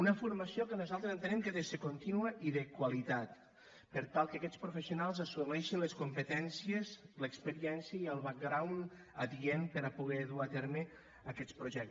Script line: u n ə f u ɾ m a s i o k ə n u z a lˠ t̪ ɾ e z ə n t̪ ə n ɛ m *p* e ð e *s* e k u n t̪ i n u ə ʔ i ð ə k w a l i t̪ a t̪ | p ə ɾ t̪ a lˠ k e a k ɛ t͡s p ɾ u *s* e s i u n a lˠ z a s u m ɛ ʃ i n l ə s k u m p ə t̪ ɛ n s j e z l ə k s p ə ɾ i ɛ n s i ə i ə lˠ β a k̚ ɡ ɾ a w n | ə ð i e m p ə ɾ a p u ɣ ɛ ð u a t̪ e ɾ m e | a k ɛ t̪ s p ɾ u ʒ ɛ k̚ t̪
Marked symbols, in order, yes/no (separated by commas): no, yes, no